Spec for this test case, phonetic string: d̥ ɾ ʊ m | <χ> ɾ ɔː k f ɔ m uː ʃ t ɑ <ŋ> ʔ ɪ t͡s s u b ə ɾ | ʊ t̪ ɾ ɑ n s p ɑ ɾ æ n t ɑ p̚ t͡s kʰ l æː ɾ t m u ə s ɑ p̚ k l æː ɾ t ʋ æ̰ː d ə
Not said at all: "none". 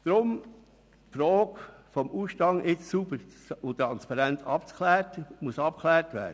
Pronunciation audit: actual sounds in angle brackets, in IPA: f, ŋ

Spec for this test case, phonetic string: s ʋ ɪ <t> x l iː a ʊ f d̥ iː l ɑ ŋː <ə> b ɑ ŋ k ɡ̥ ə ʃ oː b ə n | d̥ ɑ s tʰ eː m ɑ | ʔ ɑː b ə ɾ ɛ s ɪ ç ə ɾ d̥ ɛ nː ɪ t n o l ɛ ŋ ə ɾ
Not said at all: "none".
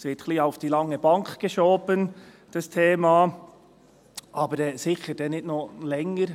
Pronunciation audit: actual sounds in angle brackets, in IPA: t, ə

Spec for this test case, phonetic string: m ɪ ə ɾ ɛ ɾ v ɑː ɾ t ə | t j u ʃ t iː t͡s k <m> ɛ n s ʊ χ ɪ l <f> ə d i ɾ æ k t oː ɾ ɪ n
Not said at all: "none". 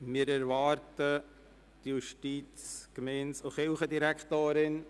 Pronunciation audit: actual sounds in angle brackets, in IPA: m, χ

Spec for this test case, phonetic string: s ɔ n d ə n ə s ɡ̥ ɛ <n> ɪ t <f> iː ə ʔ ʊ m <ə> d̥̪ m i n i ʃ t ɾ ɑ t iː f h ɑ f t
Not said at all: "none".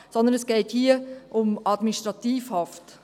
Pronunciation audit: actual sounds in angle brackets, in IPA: none, h, ɑ

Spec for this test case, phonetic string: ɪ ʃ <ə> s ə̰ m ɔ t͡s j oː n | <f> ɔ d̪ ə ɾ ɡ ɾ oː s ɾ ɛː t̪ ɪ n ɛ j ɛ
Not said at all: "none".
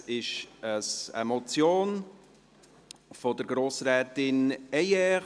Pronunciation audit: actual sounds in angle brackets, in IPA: ə, f

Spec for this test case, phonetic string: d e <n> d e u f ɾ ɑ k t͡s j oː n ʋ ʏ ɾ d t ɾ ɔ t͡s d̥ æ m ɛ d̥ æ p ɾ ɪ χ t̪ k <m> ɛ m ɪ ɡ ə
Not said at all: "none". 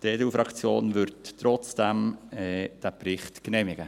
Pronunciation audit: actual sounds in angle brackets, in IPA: none, n

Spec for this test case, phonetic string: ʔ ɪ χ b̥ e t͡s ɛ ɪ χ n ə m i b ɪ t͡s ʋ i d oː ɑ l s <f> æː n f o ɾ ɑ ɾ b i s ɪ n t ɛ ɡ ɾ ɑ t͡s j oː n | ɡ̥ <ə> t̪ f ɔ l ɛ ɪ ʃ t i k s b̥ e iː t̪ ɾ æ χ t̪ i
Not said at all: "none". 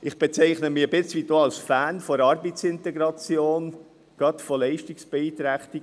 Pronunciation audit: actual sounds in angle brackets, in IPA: f, ɑ

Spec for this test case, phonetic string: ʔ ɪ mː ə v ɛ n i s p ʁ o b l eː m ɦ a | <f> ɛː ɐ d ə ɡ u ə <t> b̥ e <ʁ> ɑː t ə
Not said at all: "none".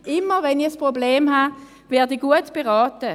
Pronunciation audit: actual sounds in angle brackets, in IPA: v, t, ʁ

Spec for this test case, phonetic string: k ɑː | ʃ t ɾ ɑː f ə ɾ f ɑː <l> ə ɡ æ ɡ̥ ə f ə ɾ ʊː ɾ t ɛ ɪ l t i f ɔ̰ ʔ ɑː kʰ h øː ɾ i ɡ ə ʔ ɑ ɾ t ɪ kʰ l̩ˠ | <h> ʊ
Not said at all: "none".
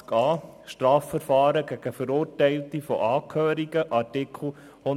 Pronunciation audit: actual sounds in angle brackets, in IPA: ɾ, h

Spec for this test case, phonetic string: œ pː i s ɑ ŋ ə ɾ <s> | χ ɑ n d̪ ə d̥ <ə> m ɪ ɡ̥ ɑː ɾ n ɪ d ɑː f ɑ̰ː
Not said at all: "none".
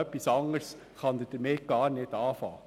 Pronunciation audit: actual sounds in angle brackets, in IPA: s, ə

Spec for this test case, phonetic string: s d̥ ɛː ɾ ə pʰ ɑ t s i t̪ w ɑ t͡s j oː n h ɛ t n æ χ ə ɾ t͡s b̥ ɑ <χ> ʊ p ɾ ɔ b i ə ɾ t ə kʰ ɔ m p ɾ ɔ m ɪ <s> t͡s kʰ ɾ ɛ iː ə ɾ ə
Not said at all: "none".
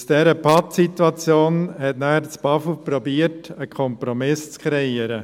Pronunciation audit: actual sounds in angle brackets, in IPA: f, s

